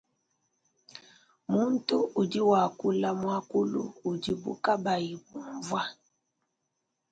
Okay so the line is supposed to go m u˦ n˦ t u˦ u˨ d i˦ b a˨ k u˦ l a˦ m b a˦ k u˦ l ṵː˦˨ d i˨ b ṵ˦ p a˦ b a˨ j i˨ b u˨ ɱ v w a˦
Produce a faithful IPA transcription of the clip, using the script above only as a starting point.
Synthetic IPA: m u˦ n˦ t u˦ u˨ d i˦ w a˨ k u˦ l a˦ m w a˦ k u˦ l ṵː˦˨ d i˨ b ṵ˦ k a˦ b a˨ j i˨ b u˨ ɱ v w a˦